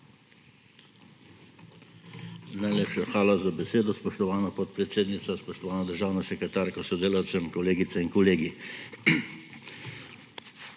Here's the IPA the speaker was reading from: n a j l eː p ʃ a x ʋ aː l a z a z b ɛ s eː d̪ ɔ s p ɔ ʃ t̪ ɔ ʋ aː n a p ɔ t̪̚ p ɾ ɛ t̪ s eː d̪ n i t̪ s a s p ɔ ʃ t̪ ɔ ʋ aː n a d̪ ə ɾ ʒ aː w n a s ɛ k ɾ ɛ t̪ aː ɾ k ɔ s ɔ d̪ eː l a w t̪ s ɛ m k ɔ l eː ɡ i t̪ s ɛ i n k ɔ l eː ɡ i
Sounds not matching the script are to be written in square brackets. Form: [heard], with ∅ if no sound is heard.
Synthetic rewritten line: n a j l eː p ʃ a x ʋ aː l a z a [∅] b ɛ s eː d̪ ɔ s p ɔ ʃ t̪ ɔ ʋ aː n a p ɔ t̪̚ p ɾ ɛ t̪ s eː d̪ n i t̪ s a s p ɔ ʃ t̪ ɔ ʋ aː n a d̪ ə ɾ ʒ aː w n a s ɛ k ɾ ɛ t̪ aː ɾ k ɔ s ɔ d̪ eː l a w t̪ s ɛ m k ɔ l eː ɡ i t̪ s ɛ i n k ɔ l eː ɡ i